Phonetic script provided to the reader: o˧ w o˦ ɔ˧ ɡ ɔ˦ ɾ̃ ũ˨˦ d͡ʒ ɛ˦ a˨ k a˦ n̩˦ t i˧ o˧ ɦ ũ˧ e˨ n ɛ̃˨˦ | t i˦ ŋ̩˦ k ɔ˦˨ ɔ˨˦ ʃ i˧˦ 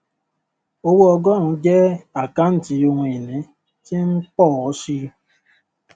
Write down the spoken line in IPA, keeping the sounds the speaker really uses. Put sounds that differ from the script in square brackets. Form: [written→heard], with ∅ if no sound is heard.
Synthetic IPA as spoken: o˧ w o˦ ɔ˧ ɡ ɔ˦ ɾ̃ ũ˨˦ d͡ʒ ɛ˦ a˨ k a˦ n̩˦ t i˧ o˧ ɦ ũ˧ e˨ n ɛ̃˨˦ | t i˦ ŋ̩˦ [k→k͡p] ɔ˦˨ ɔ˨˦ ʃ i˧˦